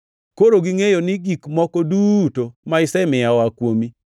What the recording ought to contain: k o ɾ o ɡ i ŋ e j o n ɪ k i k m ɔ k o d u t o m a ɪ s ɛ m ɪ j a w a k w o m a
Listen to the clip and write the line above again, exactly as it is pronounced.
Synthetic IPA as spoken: k o ɾ o ɡ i ŋ e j o n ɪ ɡ i k m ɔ k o d u t o m a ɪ s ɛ m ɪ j a w a k w o m i